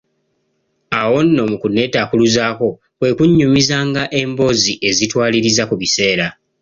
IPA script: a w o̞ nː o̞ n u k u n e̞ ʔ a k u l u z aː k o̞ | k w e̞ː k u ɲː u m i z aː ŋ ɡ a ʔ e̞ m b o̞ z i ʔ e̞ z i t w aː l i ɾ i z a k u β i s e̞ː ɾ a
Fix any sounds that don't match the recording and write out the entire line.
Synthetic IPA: a w o̞ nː o̞ m u k u n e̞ t a k u l u z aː k o̞ | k w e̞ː k u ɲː u m i z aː ŋ ɡ a ʔ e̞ m b o̞ z i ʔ e̞ z i t w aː l i ɾ i z a k u β i s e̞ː ɾ a